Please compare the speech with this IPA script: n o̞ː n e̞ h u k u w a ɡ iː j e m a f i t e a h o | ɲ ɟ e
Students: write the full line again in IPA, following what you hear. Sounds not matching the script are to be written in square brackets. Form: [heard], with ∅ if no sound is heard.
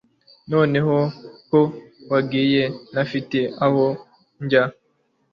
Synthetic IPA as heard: n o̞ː n e̞ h [o] k [o] w a ɡ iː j e [n] a f i t e a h o | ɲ ɟ [a]